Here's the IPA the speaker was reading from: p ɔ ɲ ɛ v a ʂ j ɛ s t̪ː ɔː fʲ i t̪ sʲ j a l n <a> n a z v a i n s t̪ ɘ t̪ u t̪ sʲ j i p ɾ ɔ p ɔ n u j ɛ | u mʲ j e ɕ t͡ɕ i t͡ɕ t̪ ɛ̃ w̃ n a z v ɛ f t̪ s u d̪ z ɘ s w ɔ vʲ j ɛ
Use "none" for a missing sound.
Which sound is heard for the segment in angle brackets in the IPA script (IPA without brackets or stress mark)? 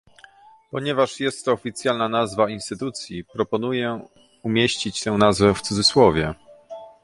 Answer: a